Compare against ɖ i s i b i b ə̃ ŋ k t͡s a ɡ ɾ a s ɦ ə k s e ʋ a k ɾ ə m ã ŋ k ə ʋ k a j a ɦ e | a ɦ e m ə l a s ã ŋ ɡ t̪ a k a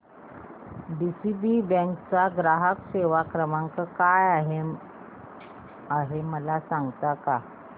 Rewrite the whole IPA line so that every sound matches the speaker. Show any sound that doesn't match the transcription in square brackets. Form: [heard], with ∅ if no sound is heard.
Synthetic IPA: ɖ i s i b i b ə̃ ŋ k t͡s a ɡ ɾ a [∅] ɦ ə k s e ʋ a k ɾ ə m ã ŋ k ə [∅] k a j a ɦ e | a ɦ e m ə l a s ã ŋ ɡ t̪ a k a